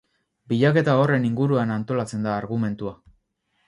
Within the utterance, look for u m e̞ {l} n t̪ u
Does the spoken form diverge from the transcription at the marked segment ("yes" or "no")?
yes